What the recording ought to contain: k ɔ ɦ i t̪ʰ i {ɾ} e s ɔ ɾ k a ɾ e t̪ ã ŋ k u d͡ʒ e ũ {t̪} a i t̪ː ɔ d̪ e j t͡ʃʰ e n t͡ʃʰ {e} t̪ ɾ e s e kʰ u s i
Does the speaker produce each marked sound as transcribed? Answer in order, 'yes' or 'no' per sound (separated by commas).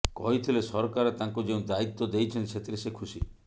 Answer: no, no, yes